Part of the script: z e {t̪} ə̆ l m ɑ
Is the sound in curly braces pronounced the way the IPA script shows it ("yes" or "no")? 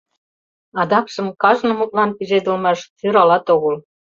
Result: no